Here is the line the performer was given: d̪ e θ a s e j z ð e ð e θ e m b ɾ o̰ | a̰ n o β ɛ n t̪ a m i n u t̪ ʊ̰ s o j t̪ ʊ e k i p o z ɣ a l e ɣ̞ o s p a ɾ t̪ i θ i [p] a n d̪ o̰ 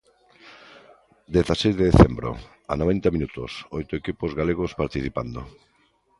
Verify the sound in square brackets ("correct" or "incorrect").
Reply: correct